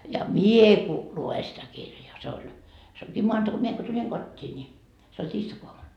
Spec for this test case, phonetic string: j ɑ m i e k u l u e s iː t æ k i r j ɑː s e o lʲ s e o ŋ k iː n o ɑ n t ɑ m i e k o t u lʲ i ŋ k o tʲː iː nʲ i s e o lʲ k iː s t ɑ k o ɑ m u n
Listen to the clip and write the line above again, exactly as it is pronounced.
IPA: j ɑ m i e k u l u e s i t æ k i r j ɑː s e o lʲ s e o ŋ k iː m o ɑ n t ɑ m i e k o t u lʲ i ŋ k o tʲː iː nʲ i s e o lʲ t iː s t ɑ k o ɑ m u n